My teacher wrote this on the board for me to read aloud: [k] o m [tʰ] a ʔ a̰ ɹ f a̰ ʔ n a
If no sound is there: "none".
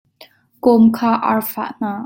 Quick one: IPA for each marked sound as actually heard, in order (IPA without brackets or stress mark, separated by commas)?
k, kʰ